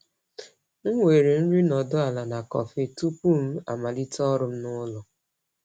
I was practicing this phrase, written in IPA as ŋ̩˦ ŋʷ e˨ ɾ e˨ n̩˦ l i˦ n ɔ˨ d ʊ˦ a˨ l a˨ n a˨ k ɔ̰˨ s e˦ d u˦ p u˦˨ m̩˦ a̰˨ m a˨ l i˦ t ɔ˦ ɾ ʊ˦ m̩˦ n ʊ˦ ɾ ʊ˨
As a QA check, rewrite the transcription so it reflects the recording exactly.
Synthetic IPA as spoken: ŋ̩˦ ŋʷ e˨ ɾ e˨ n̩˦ ɾ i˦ n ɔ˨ d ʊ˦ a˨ l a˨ n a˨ k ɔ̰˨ f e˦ t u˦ p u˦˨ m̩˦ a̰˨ m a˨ l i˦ t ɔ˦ ɾ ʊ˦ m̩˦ n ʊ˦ l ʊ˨